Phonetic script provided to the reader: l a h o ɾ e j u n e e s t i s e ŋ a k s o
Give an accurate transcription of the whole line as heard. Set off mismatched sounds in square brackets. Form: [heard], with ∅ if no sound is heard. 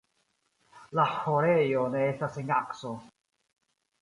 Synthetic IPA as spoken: l a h o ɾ e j [o] n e e s t [a] s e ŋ a k s o